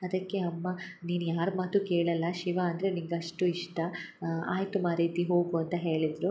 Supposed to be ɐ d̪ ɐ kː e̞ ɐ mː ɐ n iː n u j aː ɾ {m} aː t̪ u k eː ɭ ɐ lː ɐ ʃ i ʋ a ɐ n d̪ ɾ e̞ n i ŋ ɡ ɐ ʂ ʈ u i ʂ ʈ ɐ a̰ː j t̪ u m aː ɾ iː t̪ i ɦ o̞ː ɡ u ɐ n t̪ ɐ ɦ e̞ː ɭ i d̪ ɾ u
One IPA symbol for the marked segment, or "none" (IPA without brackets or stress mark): m